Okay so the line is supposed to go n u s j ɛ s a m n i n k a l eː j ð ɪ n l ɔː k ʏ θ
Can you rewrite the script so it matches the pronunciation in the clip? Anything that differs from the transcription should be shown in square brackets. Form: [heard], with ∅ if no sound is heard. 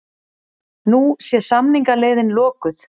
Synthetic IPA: n u s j ɛ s a m n i [ŋ] k a l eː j ð ɪ n l ɔː k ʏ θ